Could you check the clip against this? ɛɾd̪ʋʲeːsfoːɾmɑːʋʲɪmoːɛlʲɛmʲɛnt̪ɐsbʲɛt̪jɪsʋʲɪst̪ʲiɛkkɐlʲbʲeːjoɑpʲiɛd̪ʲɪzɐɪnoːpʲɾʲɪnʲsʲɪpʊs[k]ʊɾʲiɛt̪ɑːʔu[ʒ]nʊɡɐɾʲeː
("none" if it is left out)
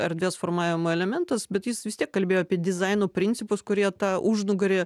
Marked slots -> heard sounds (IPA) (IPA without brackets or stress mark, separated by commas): k, ʒ